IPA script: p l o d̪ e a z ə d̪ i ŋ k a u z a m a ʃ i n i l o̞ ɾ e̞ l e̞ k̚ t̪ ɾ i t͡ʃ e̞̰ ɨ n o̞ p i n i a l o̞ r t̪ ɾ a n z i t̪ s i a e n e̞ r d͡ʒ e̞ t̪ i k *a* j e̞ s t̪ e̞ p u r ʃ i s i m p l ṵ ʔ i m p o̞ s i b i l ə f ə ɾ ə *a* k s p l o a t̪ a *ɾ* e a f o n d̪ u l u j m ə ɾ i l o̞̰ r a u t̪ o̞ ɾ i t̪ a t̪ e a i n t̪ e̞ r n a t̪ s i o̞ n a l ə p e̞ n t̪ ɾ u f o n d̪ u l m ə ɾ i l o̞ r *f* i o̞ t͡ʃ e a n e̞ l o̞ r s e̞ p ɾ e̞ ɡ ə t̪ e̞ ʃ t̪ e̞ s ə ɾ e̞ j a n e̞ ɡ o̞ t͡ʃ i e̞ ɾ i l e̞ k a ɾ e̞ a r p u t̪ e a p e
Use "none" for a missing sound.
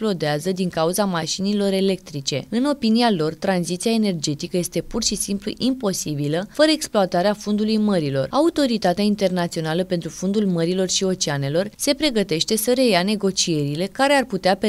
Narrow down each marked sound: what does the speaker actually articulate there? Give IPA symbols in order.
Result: ə, e, ɾ, ʃ

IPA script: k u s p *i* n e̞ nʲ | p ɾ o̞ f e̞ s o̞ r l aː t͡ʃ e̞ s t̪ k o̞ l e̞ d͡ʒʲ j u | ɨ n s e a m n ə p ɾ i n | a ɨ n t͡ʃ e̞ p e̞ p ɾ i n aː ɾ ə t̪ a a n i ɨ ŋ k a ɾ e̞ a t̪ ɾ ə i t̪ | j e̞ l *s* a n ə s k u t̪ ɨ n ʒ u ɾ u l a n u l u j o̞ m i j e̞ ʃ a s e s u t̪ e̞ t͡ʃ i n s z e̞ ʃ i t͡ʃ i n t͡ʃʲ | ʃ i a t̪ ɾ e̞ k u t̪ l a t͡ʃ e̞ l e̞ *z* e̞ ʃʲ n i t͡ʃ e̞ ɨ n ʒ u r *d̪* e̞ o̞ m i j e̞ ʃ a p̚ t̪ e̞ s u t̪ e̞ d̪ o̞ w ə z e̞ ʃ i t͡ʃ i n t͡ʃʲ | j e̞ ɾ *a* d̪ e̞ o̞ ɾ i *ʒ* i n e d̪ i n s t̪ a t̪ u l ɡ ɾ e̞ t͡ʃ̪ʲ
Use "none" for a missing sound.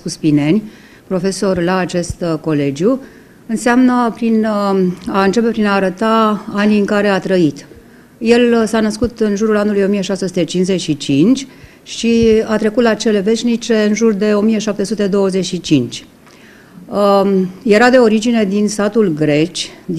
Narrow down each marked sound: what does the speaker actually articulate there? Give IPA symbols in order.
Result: i, s, v, d̪, a, d͡ʒ

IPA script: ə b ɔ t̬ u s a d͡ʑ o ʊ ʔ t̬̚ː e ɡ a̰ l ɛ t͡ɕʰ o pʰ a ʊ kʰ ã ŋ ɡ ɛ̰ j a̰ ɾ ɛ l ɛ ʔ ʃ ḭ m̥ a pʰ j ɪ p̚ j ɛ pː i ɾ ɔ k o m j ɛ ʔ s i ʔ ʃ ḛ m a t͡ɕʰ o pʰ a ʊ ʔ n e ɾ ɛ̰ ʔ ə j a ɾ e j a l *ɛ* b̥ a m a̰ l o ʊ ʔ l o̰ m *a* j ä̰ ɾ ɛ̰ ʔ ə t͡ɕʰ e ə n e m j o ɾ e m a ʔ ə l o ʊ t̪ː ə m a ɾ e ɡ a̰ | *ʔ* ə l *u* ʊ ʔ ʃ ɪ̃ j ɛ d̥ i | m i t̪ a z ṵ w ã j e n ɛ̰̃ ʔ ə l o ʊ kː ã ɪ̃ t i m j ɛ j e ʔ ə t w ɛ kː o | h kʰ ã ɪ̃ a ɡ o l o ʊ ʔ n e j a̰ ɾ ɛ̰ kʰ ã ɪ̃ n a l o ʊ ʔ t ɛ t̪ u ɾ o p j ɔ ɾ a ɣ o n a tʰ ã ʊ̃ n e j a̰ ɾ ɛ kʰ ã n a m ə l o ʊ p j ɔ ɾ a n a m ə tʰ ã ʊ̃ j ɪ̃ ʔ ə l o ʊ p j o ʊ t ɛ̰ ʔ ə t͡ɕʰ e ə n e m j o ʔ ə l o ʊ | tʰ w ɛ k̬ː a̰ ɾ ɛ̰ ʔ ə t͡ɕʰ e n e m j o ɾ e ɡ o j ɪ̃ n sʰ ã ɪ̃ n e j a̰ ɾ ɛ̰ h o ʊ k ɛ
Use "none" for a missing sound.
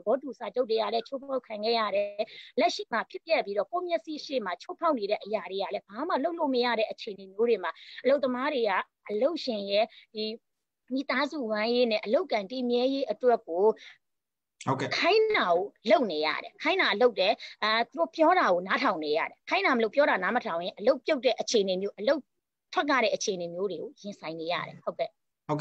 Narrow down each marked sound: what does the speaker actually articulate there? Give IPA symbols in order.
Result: ɛ, ə, ʔ, o

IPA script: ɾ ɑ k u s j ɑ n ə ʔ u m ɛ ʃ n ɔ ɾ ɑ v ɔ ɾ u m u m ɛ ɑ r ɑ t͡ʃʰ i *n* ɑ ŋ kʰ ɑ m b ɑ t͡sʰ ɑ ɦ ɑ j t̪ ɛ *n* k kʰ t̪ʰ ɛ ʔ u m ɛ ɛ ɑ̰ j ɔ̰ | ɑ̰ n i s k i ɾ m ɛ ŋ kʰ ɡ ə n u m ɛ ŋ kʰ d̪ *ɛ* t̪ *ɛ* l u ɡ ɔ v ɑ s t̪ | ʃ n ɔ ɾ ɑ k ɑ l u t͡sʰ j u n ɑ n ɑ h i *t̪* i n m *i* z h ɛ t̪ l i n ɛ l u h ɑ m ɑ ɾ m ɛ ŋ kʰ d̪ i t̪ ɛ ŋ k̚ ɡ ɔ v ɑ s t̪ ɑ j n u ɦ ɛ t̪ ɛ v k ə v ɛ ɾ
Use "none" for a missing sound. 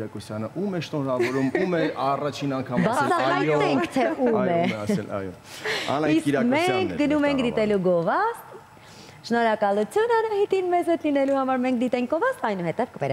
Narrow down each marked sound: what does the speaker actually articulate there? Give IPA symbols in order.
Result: n, ŋ, i, ɛ, t̪, ɛ

